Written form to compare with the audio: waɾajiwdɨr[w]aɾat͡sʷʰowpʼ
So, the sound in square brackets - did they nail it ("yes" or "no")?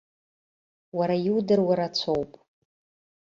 yes